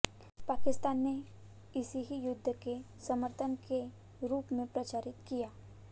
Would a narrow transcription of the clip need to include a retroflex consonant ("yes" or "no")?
no